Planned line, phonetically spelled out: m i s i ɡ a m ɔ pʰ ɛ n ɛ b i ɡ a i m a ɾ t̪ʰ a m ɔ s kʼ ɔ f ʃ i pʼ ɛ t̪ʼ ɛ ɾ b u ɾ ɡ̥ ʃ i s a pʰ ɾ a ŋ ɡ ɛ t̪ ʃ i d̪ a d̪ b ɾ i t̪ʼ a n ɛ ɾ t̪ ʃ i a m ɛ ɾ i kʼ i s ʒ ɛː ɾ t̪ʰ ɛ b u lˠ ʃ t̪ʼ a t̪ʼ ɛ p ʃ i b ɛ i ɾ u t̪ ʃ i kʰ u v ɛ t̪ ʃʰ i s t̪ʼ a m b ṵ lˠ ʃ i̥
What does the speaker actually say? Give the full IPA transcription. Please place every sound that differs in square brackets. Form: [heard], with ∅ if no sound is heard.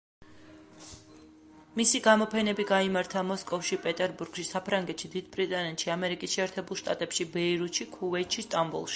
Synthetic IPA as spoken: m i s i ɡ a m ɔ pʰ ɛ n ɛ b i ɡ a i m a ɾ t̪ʰ a m ɔ s kʼ ɔ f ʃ i pʼ ɛ t̪ʼ ɛ ɾ b u ɾ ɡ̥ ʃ i s a pʰ ɾ a ŋ ɡ ɛ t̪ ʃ i d̪ [i] d̪ b ɾ i t̪ʼ a n ɛ [∅] t̪ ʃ i a m ɛ ɾ i kʼ i s [ʃ] ɛː ɾ t̪ʰ ɛ b u lˠ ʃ t̪ʼ a t̪ʼ ɛ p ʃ i b ɛ i ɾ u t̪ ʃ i kʰ u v ɛ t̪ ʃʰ i s t̪ʼ a m b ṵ lˠ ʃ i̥